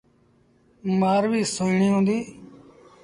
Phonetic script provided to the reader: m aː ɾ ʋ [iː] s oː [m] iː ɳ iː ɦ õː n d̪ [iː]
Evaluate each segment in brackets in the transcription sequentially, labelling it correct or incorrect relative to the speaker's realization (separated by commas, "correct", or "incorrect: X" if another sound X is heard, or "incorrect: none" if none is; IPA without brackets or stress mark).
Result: correct, incorrect: none, correct